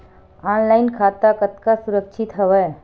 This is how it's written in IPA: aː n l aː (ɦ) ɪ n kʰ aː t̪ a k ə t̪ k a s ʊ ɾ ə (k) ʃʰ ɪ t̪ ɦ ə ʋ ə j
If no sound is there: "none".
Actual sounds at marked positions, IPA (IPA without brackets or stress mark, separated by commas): none, k